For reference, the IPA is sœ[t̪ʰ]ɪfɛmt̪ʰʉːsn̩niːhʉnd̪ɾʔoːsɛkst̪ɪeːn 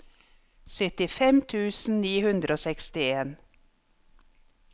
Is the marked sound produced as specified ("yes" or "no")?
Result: no